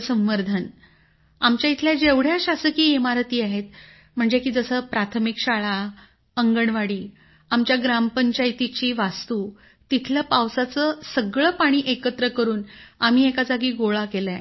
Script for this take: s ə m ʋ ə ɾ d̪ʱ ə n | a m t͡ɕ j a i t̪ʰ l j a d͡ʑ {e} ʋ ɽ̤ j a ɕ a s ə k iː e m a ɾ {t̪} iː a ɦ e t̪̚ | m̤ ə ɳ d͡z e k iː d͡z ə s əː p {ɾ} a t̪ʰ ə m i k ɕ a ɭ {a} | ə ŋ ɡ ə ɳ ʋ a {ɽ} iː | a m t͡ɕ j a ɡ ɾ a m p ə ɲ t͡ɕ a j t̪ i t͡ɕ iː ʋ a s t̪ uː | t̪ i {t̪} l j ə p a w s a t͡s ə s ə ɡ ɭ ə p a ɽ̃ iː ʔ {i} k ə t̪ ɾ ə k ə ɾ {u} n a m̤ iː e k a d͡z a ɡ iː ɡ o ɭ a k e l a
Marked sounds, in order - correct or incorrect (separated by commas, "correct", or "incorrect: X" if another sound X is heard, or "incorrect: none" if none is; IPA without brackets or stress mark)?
correct, correct, correct, correct, correct, incorrect: t̪ʰ, incorrect: e, incorrect: uː